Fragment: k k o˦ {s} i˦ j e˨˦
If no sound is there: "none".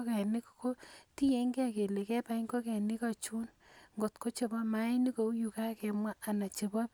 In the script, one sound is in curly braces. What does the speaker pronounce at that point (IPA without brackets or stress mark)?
t